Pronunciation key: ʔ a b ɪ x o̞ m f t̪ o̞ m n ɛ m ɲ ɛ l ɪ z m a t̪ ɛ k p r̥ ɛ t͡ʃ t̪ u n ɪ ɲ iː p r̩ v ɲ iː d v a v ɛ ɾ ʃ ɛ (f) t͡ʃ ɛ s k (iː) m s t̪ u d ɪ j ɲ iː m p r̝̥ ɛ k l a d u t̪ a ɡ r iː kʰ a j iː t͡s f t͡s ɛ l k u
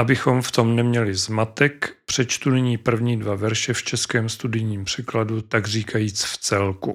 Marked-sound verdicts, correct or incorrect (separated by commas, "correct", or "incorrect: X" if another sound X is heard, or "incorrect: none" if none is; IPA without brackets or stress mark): correct, incorrect: ɛː